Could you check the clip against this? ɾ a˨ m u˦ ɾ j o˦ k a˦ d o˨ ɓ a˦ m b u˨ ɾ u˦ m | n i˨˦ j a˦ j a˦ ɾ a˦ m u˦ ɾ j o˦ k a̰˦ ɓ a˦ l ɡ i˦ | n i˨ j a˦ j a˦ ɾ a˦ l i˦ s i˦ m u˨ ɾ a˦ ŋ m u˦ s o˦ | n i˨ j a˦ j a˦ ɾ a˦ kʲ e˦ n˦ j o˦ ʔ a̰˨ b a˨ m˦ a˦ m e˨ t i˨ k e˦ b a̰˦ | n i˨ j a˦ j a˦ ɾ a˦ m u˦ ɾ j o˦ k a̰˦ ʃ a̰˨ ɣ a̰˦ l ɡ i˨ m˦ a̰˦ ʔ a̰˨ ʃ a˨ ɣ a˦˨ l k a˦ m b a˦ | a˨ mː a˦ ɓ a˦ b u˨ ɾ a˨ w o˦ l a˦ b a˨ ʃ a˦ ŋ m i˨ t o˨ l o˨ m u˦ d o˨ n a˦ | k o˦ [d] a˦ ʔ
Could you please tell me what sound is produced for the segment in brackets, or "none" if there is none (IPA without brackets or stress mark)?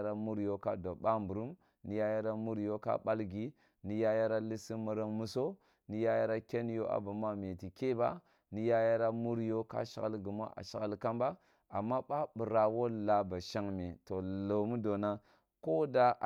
d